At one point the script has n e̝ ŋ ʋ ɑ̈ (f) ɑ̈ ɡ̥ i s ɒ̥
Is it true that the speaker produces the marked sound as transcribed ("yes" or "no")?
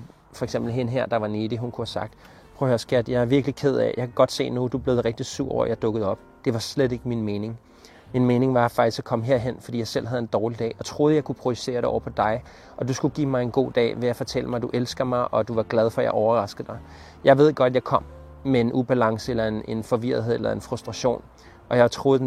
yes